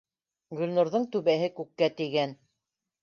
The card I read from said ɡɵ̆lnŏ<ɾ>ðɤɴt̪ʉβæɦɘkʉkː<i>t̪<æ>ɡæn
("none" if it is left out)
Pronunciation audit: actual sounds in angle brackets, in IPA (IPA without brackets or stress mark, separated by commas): ɾ, æ, i